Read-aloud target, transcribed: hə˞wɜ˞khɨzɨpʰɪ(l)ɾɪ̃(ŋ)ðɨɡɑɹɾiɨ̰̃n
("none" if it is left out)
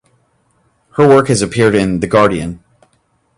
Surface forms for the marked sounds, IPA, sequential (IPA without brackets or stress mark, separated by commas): ɹ, n